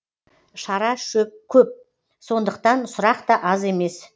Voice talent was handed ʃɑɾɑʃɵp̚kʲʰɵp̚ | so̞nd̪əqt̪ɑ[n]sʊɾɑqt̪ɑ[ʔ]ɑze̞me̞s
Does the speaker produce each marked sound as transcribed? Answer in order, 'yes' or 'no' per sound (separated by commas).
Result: yes, yes